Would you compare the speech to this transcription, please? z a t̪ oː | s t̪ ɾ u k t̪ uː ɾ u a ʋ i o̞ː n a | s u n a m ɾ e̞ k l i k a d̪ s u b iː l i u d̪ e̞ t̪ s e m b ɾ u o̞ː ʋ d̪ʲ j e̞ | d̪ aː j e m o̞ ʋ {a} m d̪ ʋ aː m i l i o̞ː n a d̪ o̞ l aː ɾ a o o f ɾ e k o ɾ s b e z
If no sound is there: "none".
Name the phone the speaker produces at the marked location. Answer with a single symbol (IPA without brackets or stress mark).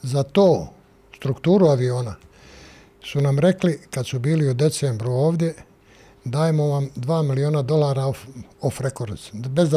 a